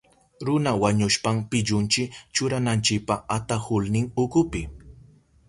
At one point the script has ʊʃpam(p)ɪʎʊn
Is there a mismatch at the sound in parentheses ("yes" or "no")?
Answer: no